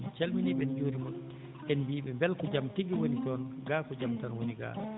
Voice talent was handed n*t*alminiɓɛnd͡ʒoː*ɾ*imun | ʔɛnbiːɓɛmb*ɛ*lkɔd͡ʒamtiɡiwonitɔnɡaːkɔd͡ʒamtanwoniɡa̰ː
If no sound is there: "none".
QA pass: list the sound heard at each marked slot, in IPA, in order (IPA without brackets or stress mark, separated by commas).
t͡ʃ, ɾ, ɛ